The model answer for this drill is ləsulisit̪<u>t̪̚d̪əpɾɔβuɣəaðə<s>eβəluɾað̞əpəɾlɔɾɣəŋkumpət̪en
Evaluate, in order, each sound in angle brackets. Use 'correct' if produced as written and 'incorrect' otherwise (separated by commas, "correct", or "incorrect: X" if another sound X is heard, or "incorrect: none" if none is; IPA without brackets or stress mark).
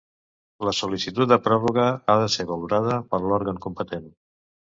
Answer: correct, correct